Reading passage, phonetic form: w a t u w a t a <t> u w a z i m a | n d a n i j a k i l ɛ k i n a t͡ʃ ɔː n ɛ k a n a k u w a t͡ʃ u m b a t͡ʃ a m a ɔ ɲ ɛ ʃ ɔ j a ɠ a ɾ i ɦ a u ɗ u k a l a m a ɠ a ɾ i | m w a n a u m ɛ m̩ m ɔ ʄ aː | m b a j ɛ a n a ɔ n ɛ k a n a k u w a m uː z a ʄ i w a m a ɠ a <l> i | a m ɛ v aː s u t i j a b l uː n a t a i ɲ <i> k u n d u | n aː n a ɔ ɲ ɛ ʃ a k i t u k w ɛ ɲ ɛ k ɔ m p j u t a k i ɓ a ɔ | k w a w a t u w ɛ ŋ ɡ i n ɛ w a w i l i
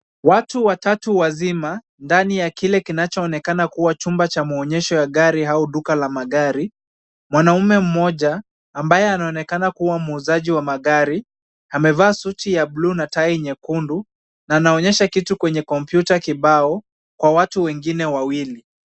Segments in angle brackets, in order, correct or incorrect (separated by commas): correct, incorrect, incorrect